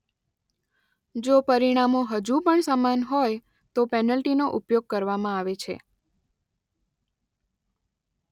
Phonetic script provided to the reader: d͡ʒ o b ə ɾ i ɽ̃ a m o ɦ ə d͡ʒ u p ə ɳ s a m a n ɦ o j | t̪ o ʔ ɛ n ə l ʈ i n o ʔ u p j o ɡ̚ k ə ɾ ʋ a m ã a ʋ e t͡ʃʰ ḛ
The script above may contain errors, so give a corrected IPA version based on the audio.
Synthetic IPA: d͡ʒ o p ə ɾ i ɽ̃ a m o ɦ ə d͡ʒ u p ə ɳ s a m a n ɦ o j | t̪ o p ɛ n ə l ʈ i n o ʔ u p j o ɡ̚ k ə ɾ ʋ a m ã a ʋ e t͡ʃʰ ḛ